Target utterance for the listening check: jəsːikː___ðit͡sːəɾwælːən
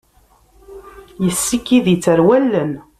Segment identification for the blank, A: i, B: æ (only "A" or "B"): A